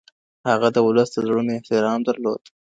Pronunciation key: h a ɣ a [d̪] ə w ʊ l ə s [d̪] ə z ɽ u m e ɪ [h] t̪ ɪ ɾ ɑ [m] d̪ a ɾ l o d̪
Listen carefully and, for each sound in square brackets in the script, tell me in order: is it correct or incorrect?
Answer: correct, correct, correct, correct

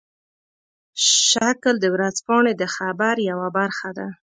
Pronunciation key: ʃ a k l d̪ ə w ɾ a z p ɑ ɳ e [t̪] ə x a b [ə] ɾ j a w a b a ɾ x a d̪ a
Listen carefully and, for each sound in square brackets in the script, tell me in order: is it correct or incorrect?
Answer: incorrect: d̪, incorrect: a

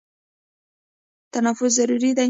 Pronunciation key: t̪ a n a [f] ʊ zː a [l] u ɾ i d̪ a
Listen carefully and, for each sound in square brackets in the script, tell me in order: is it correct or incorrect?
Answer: correct, incorrect: ɾ

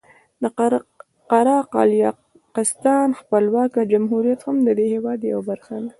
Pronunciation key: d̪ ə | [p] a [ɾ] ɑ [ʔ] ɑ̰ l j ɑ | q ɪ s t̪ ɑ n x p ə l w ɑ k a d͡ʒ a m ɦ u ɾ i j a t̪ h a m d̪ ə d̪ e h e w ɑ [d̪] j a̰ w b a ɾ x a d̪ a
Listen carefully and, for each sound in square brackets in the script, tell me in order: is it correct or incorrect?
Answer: incorrect: q, correct, incorrect: q, correct

